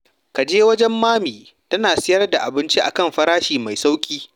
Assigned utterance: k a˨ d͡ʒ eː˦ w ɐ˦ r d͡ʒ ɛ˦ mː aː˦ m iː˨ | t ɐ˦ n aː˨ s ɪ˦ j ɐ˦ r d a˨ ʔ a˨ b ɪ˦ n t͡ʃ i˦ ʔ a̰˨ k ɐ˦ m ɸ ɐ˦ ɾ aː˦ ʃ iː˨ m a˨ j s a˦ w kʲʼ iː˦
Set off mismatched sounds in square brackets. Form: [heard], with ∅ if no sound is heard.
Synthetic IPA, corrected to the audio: k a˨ d͡ʒ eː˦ w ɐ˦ [∅] d͡ʒ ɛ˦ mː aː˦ m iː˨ | t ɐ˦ n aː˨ s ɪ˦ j ɐ˦ r d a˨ ʔ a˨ b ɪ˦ n t͡ʃ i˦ ʔ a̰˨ k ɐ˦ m ɸ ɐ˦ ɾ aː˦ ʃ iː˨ m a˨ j s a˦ w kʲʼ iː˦

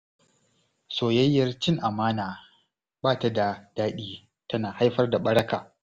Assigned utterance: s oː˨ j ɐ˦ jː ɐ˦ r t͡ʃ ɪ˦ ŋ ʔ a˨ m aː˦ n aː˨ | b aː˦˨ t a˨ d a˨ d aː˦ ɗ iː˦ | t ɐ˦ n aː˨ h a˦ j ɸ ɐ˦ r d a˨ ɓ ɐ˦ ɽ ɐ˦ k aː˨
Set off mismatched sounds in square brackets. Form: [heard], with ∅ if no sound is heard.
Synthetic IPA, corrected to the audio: s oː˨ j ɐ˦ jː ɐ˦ r t͡ʃ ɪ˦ ŋ ʔ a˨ m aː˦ n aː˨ | b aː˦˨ t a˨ d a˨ d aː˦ ɗ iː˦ | t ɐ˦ n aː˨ h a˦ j ɸ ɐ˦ r d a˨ ɓ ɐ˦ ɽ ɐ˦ k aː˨

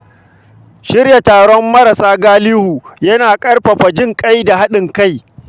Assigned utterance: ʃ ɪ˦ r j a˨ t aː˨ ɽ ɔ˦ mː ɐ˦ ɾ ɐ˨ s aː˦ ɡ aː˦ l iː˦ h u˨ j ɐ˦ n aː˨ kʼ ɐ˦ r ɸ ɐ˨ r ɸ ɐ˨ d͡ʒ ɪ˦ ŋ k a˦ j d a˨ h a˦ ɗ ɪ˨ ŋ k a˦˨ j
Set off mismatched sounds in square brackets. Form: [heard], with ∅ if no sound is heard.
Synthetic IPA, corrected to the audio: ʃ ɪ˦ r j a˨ t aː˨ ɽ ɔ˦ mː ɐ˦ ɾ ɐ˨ s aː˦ ɡ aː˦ l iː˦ h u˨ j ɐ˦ n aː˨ kʼ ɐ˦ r ɸ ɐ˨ [∅] ɸ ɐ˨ d͡ʒ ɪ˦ ŋ [kʼ] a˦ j d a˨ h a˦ ɗ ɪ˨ ŋ k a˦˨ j

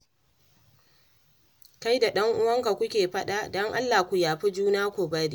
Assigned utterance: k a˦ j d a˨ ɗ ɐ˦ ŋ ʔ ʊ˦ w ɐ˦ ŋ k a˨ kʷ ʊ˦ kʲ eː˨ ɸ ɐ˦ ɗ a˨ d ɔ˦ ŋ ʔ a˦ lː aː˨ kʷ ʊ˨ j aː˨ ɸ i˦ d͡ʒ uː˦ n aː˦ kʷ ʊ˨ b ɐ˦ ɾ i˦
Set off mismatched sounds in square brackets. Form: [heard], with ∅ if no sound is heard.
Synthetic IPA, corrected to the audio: k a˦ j d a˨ ɗ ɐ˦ ŋ ʔ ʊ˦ w ɐ˦ ŋ k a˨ kʷ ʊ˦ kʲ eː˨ ɸ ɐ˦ ɗ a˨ d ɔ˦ ŋ ʔ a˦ lː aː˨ kʷ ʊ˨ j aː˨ ɸ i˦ d͡ʒ uː˦ n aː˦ kʷ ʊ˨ b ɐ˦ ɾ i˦

